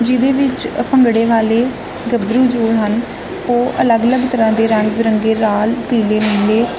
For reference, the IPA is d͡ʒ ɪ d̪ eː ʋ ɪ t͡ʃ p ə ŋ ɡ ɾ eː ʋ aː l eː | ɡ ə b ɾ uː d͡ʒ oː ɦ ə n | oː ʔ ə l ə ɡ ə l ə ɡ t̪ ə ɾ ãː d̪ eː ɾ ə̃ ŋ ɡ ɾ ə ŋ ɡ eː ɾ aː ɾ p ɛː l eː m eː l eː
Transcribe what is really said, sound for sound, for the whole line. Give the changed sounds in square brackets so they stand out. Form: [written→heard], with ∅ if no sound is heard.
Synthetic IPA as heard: d͡ʒ ɪ d̪ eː ʋ ɪ t͡ʃ p ə ŋ ɡ [ɾ→ɽ] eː ʋ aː l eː | ɡ ə b ɾ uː d͡ʒ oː ɦ ə n | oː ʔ ə l ə ɡ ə l ə ɡ t̪ ə ɾ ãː d̪ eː ɾ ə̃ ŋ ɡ ɾ ə ŋ ɡ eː ɾ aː [ɾ→l] p [ɛː→iː] l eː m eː l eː